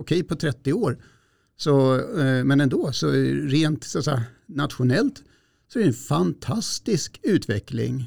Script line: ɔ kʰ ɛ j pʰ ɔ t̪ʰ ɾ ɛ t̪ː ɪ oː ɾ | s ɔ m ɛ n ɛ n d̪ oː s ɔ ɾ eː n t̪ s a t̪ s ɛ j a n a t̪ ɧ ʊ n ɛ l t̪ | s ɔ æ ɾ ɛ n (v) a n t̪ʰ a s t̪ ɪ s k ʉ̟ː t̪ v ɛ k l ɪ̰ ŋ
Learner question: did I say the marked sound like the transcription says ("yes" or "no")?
no